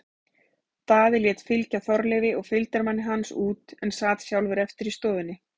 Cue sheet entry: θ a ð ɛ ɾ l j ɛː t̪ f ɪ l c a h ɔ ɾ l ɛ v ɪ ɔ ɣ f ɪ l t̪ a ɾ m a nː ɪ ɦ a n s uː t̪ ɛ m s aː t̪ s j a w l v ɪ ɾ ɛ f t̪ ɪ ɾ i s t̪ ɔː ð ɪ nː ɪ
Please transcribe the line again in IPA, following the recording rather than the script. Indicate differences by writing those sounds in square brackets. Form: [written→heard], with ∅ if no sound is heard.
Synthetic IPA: θ a ð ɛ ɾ l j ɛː t̪ f ɪ l c a [h→θ] ɔ ɾ l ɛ v ɪ ɔ ɣ f ɪ l t̪ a ɾ m a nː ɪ ɦ a n s uː t̪ ɛ [m→n] s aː t̪ s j a w l v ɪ ɾ ɛ f t̪ ɪ ɾ i s t̪ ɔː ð ɪ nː ɪ